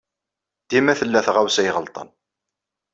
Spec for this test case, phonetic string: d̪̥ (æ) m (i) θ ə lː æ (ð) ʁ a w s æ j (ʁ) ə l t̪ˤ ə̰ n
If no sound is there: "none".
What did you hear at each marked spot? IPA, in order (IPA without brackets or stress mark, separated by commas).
i, æ, θ, ʁ